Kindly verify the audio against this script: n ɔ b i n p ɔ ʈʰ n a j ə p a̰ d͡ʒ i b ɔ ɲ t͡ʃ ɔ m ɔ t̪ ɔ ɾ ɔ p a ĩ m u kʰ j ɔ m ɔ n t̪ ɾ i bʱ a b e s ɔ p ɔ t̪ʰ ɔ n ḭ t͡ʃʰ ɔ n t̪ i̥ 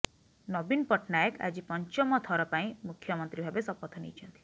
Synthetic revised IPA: n ɔ b i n p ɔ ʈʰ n a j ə k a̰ d͡ʒ i p ɔ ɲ t͡ʃ ɔ m ɔ t̪ʰ ɔ ɾ ɔ p a ĩ m u kʰ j ɔ m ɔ n t̪ ɾ i bʱ a b e s ɔ p ɔ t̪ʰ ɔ n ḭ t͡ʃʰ ɔ n t̪ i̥